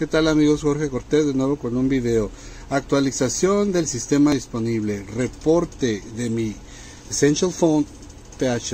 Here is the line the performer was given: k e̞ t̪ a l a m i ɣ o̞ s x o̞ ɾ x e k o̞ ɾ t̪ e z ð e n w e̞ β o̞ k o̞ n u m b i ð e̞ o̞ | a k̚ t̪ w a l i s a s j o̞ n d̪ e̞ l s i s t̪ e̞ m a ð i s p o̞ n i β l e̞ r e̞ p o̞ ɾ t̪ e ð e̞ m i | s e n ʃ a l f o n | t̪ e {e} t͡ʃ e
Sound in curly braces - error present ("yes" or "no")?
yes